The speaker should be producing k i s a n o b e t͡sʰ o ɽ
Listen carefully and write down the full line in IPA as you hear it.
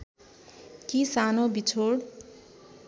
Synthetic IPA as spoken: k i s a n o b i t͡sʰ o ɽ